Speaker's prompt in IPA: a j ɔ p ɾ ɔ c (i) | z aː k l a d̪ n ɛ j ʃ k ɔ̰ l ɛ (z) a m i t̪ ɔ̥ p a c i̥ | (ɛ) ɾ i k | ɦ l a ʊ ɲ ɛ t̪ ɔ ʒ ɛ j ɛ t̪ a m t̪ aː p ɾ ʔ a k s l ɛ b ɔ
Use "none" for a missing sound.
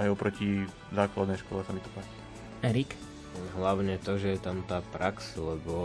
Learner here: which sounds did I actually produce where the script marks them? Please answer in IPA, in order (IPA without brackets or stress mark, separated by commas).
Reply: i, s, ɛ